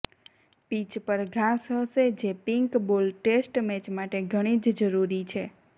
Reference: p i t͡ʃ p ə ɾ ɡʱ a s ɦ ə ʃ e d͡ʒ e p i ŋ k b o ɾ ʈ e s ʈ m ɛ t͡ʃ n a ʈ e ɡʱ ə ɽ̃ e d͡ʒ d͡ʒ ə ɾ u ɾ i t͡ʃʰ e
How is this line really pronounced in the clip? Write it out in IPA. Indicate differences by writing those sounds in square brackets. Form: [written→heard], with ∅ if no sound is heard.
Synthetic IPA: p i t͡ʃ p ə ɾ ɡʱ a s ɦ ə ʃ e d͡ʒ e p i ŋ k b o [ɾ→l] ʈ e s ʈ m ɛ t͡ʃ [n→m] a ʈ e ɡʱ ə ɽ̃ [e→i] d͡ʒ d͡ʒ ə ɾ u ɾ i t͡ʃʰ e

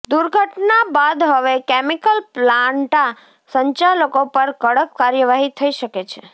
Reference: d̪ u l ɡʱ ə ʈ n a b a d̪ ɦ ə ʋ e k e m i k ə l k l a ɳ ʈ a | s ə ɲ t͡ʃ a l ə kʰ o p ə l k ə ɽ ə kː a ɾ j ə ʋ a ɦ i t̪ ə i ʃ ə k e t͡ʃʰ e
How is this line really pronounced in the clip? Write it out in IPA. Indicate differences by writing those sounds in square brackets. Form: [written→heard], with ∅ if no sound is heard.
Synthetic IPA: d̪ u [l→ɾ] ɡʱ ə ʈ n a b a d̪ ɦ ə ʋ e k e m i k ə l [k→p] l a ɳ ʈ a | s ə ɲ t͡ʃ a l ə [kʰ→k] o p ə [l→ɾ] k ə ɽ ə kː a ɾ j ə ʋ a ɦ i [t̪→t̪ʰ] ə i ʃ ə k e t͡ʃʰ e

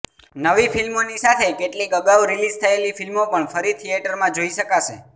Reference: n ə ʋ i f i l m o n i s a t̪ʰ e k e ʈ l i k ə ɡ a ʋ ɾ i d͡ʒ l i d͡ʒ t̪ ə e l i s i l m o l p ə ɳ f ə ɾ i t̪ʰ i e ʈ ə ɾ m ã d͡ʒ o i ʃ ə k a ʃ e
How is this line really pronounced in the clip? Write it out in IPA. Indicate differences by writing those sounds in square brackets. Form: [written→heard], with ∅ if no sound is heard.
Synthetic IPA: n ə ʋ i f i l m o n i s a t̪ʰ e k e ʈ l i k ə ɡ a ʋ ɾ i [d͡ʒ→∅] l i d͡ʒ [t̪→t̪ʰ] ə e l i [s→f] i l m o [l→∅] p ə ɳ f ə ɾ i t̪ʰ i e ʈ ə ɾ m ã d͡ʒ o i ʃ ə k a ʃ e

